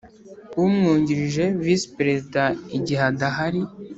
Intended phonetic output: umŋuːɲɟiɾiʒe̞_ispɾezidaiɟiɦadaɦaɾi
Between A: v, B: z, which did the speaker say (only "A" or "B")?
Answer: A